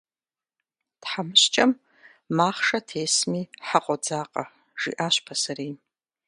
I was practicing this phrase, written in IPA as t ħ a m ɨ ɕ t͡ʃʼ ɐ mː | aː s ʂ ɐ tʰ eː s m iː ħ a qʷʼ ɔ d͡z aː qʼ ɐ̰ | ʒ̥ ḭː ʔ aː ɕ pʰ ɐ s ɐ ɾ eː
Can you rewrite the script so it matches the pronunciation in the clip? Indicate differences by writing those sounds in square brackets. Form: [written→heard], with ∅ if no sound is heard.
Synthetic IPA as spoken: t ħ a m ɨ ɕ t͡ʃʼ ɐ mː | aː [s→χ] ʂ ɐ tʰ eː s m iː ħ a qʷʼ ɔ d͡z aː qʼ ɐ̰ | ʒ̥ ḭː ʔ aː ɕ pʰ ɐ s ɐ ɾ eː